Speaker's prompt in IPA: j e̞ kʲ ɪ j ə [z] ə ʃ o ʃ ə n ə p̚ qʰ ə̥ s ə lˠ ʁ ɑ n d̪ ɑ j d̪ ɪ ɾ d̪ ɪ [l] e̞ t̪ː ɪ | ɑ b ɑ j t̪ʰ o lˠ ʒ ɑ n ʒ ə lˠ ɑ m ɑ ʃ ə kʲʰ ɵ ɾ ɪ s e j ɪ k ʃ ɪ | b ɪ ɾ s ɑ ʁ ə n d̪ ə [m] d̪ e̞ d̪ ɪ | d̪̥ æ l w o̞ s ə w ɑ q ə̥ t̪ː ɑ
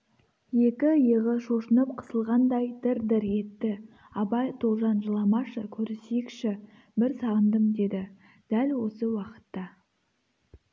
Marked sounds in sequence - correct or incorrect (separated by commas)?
incorrect, incorrect, correct